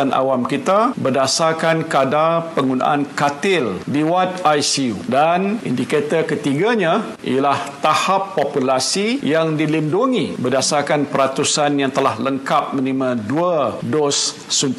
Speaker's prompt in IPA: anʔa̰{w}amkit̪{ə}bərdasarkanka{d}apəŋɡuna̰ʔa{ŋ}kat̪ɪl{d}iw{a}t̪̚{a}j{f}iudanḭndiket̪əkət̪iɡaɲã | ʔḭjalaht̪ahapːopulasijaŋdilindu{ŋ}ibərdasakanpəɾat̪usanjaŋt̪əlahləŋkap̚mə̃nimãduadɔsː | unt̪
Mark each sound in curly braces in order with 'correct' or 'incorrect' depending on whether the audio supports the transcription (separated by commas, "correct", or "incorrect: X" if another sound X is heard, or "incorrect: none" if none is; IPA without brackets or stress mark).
correct, incorrect: a, correct, incorrect: n, correct, correct, correct, incorrect: s, correct